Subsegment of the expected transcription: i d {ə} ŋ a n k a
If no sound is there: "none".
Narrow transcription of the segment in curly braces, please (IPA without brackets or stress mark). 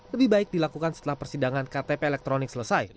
a